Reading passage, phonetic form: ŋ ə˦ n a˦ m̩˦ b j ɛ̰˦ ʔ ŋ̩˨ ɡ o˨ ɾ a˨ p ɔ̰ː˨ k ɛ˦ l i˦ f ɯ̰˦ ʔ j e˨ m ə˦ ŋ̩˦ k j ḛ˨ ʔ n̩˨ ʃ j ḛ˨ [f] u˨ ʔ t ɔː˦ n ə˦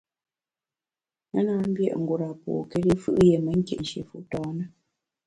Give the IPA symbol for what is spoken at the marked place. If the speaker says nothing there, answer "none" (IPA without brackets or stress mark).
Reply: f